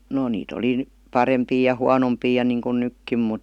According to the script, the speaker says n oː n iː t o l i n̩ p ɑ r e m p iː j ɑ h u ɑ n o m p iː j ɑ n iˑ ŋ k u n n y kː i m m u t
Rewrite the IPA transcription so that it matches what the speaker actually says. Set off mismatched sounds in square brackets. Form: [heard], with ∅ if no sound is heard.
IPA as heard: n [o] n iː t o l i n̩ p ɑ r e m p iː j ɑ h u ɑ n o m p iː j ɑ n iˑ ŋ k u n n y kː i m m u t

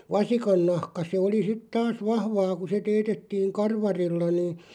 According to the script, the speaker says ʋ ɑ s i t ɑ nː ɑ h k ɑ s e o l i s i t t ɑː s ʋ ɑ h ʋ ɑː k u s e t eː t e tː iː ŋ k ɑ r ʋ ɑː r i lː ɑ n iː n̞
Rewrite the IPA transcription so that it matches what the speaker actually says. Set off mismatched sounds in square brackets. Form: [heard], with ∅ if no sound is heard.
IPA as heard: ʋ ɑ s i [k] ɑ nː ɑ h k ɑ s e o l i s i t t ɑː s ʋ ɑ h ʋ ɑː k u s e t eː t e tː iː ŋ k ɑ r ʋ [ɑ] r i lː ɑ n iː n̞

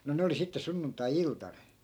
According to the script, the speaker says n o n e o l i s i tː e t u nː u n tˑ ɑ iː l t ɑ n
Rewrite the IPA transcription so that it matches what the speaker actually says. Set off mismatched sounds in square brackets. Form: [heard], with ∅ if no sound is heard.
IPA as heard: n o n e o l i s i tː e [s] u nː u n tˑ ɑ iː l t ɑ n

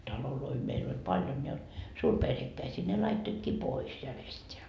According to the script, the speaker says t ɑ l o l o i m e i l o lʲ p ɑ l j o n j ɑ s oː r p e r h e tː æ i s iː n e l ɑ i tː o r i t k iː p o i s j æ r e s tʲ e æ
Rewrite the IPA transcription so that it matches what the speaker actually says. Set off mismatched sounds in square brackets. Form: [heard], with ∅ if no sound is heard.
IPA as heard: t ɑ l o l o i m e i l o lʲ p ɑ l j o n j ɑ s [uː] r p e r h e [kː] æ i s iː n e l ɑ i tː o [∅] i t k iː p o i s j æ r e s tʲ e æ

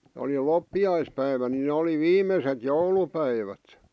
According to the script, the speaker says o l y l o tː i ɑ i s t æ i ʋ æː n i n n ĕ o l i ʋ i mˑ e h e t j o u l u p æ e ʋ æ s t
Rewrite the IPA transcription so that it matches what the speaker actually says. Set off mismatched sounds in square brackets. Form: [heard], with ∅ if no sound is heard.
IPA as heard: o l [i] l o [pː] i ɑ i s [p] æ i ʋ [æ] n i n n ĕ o l i ʋ [iː] mˑ e [s] e t j o u l u p æ [i] ʋ æ [∅] t

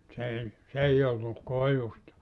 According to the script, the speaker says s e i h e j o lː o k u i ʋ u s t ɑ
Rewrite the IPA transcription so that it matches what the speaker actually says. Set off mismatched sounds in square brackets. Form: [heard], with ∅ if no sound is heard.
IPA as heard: s e i [s] e [i] o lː [u] k [o] i ʋ u s t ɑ

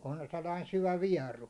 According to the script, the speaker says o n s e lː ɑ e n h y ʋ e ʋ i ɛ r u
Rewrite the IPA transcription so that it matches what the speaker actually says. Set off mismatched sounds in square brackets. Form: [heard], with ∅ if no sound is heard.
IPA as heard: o n s e lː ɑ [i] n [s] y ʋ [æ] ʋ i ɛ r u

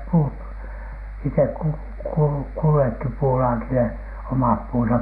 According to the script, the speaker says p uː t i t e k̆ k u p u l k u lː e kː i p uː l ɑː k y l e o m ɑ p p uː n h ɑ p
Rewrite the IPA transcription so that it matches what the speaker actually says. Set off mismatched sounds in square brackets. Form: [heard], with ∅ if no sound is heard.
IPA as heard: p uː t i t e k̆ k u [k] u l k u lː e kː i p uː l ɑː k [i] l e o m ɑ p p uː n [s] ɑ p

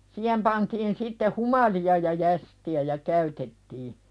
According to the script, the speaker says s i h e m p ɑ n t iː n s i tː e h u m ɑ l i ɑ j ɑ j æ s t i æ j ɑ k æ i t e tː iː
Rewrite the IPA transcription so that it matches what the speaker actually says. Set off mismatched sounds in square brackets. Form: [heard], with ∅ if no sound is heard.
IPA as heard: s [iː] h e m p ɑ n t iː n s i tː e h u m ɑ l i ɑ j ɑ j æ s t i æ j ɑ k æ [y] t e tː iː

